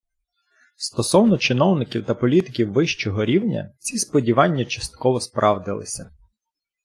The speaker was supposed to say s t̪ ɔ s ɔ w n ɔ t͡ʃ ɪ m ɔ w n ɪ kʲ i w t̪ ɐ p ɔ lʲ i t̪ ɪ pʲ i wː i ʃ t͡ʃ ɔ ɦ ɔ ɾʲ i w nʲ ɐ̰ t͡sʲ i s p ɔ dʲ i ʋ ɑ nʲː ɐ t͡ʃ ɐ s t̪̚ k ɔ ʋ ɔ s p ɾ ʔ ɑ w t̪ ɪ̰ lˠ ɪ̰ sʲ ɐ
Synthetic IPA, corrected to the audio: s t̪ ɔ s ɔ w n ɔ t͡ʃ ɪ n ɔ w n ɪ kʲ i w t̪ ɐ p ɔ lʲ i t̪ ɪ kʲ i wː ɪ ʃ t͡ʃ ɔ ɦ ɔ ɾʲ i w nʲ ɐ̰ t͡sʲ i s p ɔ dʲ i ʋ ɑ nʲː ɐ t͡ʃ ɐ s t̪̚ k ɔ ʋ ɔ s p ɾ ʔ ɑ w d̪ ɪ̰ lˠ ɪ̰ sʲ ɐ